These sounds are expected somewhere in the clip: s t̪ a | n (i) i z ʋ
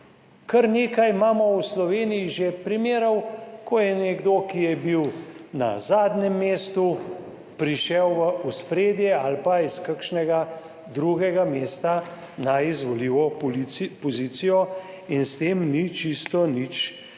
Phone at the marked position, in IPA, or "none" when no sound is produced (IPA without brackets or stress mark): a